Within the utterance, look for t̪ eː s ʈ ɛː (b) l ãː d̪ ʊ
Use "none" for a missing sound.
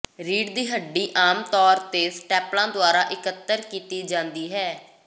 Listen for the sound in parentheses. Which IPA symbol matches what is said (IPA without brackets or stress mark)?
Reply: p